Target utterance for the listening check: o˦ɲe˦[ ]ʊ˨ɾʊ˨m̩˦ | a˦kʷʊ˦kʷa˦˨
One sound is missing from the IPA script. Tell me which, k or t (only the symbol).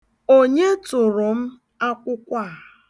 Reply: t